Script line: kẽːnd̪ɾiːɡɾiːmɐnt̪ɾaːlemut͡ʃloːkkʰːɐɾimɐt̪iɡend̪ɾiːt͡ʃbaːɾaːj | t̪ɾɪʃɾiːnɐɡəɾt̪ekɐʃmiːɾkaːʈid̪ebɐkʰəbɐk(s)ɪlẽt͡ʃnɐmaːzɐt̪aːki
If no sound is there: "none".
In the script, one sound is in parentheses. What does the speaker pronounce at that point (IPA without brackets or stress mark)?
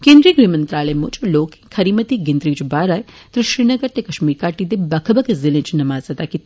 z